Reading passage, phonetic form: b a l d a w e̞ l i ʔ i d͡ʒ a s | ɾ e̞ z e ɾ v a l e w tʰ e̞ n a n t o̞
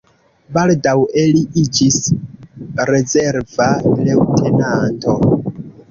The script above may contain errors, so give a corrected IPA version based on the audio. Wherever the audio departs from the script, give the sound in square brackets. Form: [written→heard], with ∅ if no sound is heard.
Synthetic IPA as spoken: b a l d a w e̞ l i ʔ i d͡ʒ [a→i] s | ɾ e̞ z e ɾ v a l e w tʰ e̞ n a n t o̞